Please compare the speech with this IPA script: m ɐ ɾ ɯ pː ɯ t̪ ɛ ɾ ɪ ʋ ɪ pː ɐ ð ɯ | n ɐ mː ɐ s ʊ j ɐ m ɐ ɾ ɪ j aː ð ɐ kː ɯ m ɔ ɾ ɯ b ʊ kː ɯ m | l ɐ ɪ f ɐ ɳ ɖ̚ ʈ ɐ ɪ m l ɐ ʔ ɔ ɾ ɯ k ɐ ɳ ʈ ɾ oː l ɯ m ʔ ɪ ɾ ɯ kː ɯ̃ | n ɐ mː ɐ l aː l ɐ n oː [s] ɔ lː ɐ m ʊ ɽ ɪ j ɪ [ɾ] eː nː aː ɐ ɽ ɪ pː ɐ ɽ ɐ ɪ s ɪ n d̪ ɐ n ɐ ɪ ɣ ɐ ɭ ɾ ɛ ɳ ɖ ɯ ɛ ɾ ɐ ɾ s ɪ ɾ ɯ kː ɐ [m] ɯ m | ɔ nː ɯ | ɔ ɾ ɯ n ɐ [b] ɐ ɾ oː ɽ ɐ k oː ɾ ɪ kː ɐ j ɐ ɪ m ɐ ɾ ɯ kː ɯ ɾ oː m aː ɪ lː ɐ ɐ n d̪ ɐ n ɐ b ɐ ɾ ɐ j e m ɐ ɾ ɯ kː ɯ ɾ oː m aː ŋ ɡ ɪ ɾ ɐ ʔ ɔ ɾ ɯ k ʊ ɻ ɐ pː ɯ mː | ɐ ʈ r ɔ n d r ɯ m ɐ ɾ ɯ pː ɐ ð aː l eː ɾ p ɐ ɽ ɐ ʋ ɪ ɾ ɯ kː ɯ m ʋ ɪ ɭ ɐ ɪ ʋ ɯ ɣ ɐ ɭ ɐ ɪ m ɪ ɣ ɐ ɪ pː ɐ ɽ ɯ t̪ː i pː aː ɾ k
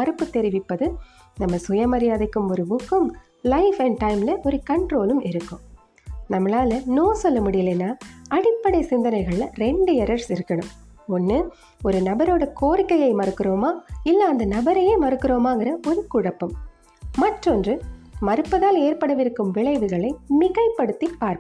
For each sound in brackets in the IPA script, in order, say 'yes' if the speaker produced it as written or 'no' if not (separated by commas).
yes, no, no, yes